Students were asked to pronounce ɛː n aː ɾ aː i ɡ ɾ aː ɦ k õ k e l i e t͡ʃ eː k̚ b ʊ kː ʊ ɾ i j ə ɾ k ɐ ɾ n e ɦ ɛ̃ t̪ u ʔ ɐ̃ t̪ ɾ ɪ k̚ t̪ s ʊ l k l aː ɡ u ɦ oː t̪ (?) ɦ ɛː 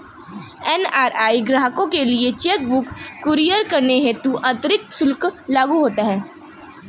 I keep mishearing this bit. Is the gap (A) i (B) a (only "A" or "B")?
B